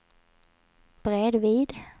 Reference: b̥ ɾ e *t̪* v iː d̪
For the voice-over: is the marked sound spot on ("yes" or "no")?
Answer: no